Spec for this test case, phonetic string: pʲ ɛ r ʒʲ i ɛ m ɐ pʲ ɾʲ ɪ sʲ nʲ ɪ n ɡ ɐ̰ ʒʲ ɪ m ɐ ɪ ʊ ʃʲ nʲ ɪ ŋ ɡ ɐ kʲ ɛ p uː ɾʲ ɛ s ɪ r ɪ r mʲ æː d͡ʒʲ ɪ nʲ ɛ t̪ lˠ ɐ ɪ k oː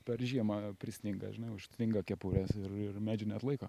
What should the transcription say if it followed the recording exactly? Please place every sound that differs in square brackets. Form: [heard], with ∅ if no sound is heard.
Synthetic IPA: pʲ ɛ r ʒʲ i ɛ m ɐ pʲ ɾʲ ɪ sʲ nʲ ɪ [ŋ] ɡ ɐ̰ ʒʲ ɪ [n] ɐ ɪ ʊ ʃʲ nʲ ɪ ŋ ɡ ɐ kʲ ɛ p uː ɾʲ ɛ s ɪ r ɪ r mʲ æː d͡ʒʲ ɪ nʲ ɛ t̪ lˠ ɐ ɪ k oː